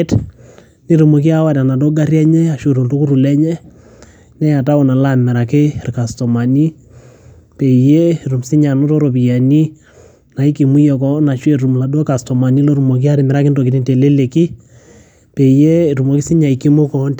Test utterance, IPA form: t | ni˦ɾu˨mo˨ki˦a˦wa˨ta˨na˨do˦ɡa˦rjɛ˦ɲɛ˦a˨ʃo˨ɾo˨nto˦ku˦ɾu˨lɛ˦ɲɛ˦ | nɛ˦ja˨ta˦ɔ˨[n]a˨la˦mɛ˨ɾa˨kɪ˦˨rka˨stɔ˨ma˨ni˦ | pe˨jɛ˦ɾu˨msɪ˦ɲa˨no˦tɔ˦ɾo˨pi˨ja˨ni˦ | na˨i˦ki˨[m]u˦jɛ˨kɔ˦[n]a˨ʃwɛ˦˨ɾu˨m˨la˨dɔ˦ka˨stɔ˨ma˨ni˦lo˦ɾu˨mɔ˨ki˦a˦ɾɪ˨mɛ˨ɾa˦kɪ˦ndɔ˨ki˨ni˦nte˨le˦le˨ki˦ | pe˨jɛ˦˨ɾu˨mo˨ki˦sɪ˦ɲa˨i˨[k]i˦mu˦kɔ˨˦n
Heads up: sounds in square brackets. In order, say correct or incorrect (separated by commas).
correct, correct, correct, correct